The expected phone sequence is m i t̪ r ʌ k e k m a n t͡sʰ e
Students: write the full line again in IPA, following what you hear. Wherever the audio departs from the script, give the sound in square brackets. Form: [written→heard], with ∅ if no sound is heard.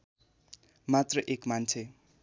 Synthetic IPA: m [i→a] t̪ r ʌ [k→ʔ] e k m a n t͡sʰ e